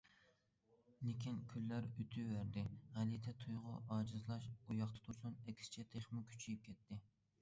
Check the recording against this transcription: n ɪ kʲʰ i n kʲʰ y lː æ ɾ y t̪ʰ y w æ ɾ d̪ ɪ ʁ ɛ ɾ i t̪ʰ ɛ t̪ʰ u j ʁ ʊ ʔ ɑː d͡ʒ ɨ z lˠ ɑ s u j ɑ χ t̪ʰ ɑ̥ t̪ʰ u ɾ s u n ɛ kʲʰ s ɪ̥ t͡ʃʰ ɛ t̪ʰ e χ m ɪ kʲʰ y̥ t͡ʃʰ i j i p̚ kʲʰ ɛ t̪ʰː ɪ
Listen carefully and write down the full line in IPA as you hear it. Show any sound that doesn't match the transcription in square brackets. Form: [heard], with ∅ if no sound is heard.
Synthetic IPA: n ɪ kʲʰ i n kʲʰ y lː æ ɾ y t̪ʰ y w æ ɾ d̪ ɪ ʁ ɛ [l] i t̪ʰ ɛ t̪ʰ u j ʁ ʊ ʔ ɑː d͡ʒ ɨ z lˠ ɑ [ʃ] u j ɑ χ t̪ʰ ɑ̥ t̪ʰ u ɾ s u n ɛ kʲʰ s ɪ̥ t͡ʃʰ ɛ t̪ʰ e χ m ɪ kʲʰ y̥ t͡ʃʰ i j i p̚ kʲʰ ɛ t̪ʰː ɪ